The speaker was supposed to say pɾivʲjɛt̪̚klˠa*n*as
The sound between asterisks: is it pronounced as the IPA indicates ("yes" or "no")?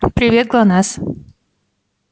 yes